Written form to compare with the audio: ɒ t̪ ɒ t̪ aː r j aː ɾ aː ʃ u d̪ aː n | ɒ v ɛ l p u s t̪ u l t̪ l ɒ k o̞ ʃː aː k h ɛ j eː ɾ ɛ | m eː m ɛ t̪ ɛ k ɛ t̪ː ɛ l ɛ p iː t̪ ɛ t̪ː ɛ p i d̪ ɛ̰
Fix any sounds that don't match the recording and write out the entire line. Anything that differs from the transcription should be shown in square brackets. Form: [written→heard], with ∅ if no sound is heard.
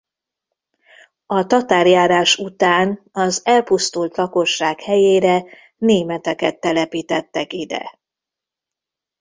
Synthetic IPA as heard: ɒ t̪ ɒ t̪ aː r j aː ɾ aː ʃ u [d̪→t̪] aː n | ɒ [v→z] ɛ l p u s t̪ u l t̪ l ɒ k o̞ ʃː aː k h ɛ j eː ɾ ɛ | [m→n] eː m ɛ t̪ ɛ k ɛ t̪ː ɛ l ɛ p iː t̪ ɛ t̪ː ɛ [p→k] i d̪ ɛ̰